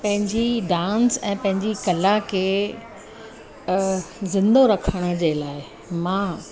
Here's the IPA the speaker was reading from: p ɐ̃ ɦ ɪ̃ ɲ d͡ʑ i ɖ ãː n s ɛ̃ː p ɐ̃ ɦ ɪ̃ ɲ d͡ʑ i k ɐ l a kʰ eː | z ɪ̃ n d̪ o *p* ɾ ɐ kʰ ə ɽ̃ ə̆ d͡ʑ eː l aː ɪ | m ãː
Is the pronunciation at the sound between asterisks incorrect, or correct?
incorrect